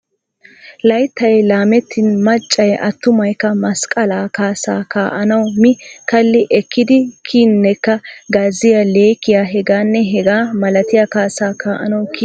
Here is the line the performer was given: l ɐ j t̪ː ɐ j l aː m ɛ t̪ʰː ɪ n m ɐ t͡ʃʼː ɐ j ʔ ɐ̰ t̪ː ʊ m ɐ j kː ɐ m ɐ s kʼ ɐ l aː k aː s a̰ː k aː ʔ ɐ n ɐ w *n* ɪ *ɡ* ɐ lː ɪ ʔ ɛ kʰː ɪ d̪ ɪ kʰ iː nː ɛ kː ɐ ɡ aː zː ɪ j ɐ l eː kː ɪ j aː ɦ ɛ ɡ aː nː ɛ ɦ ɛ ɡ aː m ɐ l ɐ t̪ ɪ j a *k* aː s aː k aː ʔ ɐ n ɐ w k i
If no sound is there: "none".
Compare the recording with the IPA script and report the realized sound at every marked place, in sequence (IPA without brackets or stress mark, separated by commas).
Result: m, k, k